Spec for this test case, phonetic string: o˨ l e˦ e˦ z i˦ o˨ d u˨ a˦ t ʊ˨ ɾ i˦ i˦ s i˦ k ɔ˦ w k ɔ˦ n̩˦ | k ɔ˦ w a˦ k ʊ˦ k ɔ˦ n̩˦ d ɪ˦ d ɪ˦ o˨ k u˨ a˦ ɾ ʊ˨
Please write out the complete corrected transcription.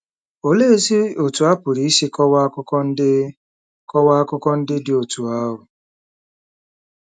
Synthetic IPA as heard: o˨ l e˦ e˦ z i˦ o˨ t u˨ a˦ p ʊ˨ ɾ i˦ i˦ s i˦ k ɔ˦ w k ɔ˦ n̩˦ | k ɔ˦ w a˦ k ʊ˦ k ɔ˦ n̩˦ d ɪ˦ d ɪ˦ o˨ t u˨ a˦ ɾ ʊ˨